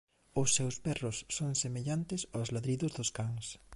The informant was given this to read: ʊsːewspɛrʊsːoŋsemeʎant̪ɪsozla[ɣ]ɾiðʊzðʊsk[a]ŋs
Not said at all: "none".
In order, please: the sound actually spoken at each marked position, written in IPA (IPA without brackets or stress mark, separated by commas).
ð, a